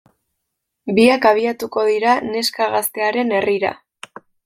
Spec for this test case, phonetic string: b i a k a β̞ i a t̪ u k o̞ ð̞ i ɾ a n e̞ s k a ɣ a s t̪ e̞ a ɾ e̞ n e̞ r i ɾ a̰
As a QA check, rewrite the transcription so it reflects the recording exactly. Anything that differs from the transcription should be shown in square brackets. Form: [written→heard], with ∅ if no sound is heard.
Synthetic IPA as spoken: b i a k a β̞ i a t̪ u k o̞ ð̞ i ɾ a n e̞ s k a ɣ a s t̪ e̞ a ɾ e̞ n e̞ r i ɾ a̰